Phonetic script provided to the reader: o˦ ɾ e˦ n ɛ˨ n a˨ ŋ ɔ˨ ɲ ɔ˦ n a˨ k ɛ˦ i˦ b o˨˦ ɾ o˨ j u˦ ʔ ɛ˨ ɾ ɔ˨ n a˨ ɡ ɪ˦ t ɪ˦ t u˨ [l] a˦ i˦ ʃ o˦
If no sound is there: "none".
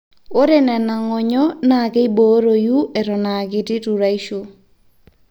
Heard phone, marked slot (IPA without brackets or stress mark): ɾ